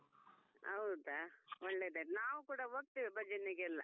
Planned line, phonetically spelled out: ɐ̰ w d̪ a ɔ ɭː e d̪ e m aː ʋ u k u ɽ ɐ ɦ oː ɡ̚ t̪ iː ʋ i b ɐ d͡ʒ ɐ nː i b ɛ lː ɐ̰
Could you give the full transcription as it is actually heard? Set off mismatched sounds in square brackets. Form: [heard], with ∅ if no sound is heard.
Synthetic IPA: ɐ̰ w d̪ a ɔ ɭː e d̪ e [n] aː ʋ u k [uː] ɽ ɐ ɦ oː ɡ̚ t̪ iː ʋ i b ɐ d͡ʒ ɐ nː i [ɡ] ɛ lː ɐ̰